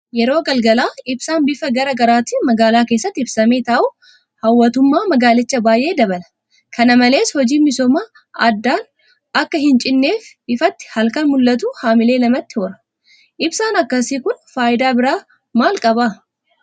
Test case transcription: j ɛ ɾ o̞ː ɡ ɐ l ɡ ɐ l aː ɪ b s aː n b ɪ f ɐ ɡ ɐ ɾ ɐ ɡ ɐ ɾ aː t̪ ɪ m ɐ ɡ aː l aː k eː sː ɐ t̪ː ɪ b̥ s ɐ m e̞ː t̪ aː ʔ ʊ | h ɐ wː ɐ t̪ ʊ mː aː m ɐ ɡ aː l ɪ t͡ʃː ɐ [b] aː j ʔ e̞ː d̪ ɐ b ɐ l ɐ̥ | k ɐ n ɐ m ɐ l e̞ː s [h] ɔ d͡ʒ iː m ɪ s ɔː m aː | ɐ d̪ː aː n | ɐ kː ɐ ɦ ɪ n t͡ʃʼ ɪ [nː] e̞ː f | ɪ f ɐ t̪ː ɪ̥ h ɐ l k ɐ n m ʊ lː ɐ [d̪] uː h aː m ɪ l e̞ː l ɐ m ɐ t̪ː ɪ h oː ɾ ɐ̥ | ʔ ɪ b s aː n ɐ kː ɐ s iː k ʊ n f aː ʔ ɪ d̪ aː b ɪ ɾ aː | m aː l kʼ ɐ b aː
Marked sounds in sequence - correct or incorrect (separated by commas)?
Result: correct, correct, correct, incorrect